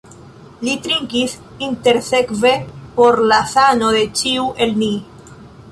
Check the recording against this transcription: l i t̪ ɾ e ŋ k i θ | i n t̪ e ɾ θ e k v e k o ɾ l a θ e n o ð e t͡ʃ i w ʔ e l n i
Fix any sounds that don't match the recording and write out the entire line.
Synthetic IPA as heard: l i t̪ ɾ i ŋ k i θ | i n t̪ e ɾ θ e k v e p o ɾ l a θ a n o ð e t͡ʃ i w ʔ e l n i